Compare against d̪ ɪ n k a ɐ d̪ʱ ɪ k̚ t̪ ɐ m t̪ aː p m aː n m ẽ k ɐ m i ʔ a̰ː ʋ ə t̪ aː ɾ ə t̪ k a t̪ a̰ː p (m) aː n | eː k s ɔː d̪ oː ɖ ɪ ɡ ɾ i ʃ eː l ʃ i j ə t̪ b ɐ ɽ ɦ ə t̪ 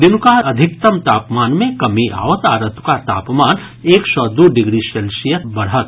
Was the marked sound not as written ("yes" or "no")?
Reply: no